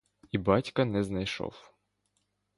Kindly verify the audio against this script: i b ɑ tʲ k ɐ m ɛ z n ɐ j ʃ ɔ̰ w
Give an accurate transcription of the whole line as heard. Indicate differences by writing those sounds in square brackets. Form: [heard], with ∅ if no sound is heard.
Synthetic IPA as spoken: i b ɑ tʲ k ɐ [n] ɛ z n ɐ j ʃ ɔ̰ w